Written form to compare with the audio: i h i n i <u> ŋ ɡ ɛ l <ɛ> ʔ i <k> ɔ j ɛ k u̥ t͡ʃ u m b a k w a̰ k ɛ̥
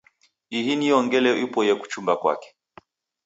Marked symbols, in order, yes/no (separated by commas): no, yes, no